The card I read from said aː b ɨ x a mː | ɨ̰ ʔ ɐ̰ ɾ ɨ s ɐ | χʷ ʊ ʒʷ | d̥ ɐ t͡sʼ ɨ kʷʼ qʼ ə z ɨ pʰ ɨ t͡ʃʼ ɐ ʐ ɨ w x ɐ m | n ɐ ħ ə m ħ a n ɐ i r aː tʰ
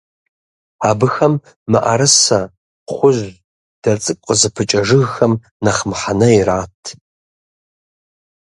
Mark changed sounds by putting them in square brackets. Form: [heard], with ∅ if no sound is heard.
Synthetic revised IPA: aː b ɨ x [ɐ] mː | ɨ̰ ʔ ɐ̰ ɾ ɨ s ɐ | χʷ ʊ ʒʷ | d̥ ɐ t͡sʼ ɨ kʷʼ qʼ ə z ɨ pʰ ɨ t͡ʃʼ ɐ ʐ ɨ [ɣ] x ɐ m | n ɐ [χ] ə m ħ a n ɐ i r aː tʰ